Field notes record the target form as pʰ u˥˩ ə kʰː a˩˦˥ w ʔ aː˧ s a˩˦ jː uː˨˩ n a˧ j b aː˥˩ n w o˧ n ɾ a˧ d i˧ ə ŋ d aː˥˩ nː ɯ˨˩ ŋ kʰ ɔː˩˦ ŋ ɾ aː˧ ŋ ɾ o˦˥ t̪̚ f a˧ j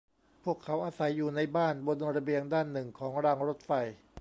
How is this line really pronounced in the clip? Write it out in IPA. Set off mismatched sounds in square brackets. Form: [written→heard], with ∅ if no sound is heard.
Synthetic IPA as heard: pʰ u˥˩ ə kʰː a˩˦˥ w ʔ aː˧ s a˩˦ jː uː˨˩ n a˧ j b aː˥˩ n [w→b] o˧ n ɾ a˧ [d→b] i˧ ə ŋ d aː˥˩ nː ɯ˨˩ ŋ kʰ ɔː˩˦ ŋ ɾ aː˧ ŋ ɾ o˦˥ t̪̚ f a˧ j